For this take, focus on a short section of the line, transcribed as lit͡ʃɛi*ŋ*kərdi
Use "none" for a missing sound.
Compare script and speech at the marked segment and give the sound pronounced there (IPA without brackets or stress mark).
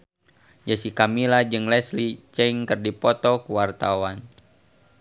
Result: ŋ